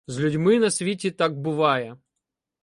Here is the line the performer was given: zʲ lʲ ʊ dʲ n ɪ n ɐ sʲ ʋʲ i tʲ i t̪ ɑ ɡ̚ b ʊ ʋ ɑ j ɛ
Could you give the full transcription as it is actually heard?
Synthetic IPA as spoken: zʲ lʲ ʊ dʲ m ɪ n ɐ sʲ ʋʲ i tʲ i t̪ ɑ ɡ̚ b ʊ ʋ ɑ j ɛ